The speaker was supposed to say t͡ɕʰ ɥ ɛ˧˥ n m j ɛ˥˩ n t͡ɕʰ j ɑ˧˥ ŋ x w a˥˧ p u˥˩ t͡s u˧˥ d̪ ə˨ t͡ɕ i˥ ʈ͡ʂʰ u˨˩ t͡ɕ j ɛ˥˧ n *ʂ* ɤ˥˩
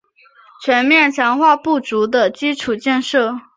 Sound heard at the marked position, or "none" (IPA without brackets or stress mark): ʂ